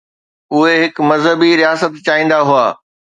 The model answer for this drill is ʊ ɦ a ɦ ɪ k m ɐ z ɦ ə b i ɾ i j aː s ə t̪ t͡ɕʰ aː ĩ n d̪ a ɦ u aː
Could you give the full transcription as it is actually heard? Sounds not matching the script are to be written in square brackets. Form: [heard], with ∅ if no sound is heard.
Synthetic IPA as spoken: ʊ ɦ [e] ɦ ɪ k m ɐ z ɦ ə b i ɾ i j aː s ə t̪ [t͡ɕ] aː [ĩː] n d̪ a ɦ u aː